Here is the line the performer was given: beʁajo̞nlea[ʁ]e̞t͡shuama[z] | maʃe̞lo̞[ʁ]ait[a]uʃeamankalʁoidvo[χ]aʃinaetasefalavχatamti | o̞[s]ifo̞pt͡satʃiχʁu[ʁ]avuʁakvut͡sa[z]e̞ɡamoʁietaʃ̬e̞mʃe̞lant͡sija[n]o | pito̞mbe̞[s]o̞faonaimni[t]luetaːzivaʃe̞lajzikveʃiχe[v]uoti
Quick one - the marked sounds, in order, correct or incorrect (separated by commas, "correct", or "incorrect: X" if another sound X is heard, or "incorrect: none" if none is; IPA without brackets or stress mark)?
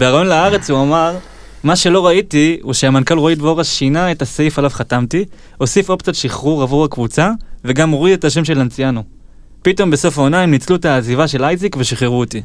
correct, incorrect: ʁ, correct, incorrect: i, incorrect: ʁ, correct, correct, incorrect: v, correct, correct, incorrect: t͡s, incorrect: ʁ